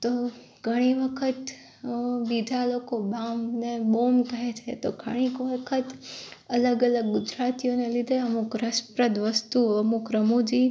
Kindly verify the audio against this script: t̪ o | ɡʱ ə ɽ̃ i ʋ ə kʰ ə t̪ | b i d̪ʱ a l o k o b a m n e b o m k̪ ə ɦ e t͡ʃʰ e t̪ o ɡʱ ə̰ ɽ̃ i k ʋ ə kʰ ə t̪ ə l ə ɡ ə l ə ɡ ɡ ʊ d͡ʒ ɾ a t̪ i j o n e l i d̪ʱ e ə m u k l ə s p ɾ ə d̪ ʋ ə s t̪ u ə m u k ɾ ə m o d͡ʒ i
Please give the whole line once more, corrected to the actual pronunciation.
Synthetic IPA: t̪ o | ɡʱ ə ɽ̃ i ʋ ə kʰ ə t̪ | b i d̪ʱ a l o k o b a m n e b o m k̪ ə ɦ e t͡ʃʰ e t̪ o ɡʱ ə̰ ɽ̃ i k ʋ ə kʰ ə t̪ ə l ə ɡ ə l ə ɡ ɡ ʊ d͡ʒ ɾ a t̪ i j o n e l i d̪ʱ e ə m u k ɾ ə s p ɾ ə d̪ ʋ ə s t̪ u ə m u k ɾ ə m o d͡ʒ i